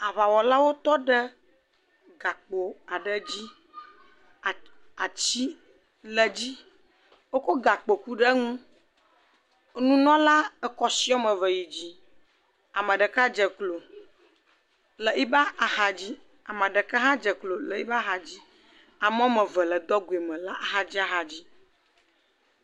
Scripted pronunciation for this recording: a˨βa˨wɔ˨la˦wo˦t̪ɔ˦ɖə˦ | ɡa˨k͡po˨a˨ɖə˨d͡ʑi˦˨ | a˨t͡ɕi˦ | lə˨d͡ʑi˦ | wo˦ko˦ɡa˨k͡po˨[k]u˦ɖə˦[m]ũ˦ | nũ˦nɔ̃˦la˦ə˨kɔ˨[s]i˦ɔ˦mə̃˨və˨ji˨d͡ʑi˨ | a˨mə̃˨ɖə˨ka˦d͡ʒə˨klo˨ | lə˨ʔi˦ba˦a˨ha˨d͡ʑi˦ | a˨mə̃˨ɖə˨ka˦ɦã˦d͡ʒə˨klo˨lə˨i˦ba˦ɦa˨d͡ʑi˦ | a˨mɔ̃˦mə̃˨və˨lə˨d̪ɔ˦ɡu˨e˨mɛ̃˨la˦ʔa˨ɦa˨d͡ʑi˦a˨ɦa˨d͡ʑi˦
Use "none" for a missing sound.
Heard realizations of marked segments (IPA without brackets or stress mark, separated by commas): k, ŋ, s